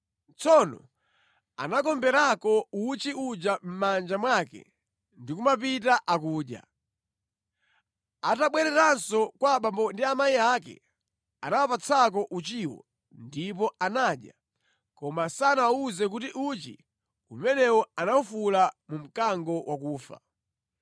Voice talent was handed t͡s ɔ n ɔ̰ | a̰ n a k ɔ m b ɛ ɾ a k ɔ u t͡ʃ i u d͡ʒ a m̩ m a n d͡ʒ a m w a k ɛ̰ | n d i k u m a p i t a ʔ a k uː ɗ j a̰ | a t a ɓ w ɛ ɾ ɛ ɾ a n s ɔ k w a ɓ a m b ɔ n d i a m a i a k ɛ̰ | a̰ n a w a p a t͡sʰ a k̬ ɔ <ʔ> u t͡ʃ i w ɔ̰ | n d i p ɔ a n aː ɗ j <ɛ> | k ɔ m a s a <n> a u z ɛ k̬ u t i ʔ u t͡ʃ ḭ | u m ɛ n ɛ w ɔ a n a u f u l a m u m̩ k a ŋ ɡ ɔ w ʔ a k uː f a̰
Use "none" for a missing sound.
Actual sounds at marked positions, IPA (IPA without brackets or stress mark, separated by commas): ʔ, a, n